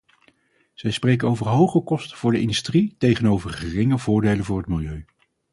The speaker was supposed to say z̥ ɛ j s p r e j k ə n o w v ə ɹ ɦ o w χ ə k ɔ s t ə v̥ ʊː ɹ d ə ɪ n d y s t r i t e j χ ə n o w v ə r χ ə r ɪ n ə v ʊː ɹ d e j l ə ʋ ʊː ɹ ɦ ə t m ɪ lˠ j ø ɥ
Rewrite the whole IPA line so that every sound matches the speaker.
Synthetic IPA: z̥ ɛ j s p r e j k ə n o w v ə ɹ ɦ o w χ ə k ɔ s t ə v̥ ʊː ɹ d ə ɪ n d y s t r i t e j χ ə n o w v ə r χ ə r ɪ ŋ ə v ʊː ɹ d e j l ə v ʊː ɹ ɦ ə t m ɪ lˠ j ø ɥ